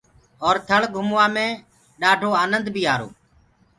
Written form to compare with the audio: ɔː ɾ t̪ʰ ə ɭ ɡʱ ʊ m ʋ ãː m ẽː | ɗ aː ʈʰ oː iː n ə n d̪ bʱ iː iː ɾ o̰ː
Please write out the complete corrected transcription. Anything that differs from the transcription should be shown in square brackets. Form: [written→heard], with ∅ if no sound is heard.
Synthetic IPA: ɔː ɾ t̪ʰ ə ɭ ɡʱ ʊ m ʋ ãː m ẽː | ɗ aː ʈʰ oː [iː→aː] n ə n d̪ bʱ iː [iː→aː] ɾ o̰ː